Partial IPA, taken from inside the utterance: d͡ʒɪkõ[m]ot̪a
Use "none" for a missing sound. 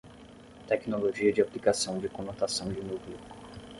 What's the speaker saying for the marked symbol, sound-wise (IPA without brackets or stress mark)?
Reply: n